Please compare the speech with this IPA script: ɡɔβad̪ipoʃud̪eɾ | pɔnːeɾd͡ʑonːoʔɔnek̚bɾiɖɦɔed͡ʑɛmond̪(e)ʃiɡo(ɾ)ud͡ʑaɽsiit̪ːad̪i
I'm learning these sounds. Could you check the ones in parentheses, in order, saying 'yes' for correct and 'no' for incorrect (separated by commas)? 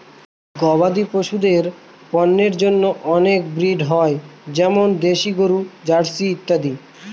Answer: yes, yes